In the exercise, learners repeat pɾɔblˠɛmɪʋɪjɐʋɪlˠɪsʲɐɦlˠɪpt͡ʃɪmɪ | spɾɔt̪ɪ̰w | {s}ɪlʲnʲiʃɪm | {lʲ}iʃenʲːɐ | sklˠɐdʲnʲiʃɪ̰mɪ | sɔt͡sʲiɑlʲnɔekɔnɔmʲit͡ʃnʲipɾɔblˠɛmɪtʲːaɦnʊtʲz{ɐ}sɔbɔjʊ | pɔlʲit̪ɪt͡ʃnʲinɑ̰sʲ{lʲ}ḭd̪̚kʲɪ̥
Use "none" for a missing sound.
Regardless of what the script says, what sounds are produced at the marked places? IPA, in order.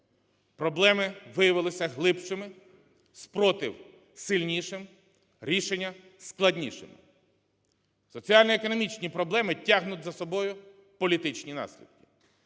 s, ɾʲ, ɐ, lʲ

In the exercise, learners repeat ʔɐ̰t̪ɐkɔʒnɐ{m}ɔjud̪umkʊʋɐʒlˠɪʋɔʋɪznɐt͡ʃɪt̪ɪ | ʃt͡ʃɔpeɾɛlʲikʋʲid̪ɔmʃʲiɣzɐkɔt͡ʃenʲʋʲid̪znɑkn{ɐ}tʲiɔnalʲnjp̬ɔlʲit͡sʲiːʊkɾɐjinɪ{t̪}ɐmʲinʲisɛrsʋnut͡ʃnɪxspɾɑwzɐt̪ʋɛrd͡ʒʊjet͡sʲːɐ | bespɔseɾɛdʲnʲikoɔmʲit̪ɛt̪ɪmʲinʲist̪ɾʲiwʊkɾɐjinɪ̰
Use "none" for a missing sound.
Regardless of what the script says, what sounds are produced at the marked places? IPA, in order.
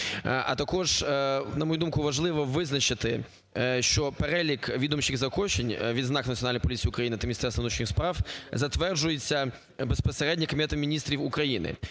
m, ɐ, t̪

